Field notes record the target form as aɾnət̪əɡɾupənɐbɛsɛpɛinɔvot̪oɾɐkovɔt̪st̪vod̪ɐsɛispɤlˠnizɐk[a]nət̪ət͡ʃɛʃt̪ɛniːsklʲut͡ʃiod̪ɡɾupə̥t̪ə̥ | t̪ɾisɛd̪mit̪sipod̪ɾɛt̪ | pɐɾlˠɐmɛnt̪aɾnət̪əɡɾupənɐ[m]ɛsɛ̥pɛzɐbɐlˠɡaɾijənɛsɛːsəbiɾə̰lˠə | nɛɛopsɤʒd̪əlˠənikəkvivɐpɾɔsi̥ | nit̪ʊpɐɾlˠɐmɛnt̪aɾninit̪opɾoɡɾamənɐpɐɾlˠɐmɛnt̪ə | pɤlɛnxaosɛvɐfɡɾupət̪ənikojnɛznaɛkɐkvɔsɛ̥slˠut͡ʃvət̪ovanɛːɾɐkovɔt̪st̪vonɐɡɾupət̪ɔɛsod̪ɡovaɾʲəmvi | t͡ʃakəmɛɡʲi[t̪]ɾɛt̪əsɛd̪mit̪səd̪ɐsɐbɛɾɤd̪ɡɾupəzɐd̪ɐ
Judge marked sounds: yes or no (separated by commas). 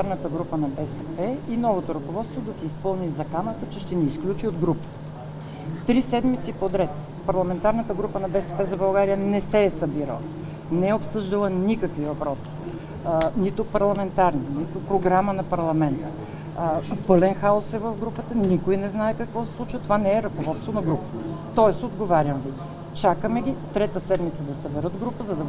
yes, no, yes